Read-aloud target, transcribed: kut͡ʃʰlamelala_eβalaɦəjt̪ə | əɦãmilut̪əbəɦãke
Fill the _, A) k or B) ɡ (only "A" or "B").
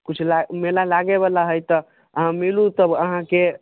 B